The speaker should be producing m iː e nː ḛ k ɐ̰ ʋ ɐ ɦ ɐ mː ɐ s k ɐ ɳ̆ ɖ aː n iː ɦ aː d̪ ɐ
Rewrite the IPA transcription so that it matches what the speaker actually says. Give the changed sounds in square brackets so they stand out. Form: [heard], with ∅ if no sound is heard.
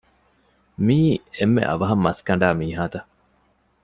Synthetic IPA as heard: m iː e [mː] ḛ [ʔ] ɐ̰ ʋ ɐ ɦ ɐ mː ɐ s k ɐ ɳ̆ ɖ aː [m] iː ɦ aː [t̪] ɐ